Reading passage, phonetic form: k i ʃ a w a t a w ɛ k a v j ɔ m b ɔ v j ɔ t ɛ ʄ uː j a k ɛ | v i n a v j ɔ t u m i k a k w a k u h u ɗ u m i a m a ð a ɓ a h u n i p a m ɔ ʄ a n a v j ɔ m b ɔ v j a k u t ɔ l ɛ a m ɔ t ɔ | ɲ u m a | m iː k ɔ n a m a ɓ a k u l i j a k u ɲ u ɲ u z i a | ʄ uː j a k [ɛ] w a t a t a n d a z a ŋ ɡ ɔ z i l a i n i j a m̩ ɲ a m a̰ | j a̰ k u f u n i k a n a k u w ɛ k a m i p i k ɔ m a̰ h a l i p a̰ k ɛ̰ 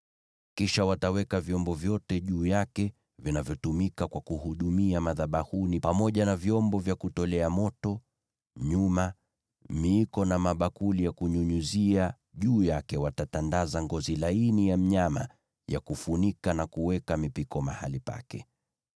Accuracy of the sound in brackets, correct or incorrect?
correct